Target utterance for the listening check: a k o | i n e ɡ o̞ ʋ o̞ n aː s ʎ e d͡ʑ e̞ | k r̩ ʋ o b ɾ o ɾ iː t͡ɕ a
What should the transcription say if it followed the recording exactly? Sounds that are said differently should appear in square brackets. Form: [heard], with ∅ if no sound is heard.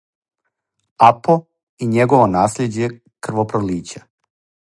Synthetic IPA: a [p] o | i [ɲ] e ɡ o̞ ʋ o̞ n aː s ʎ e d͡ʑ e̞ | k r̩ ʋ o [p] ɾ o [l] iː t͡ɕ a